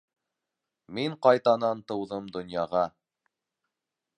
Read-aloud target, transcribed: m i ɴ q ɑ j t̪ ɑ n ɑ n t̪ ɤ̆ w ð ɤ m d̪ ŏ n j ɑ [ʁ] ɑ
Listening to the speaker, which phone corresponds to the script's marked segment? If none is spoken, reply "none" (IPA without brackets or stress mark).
ʁ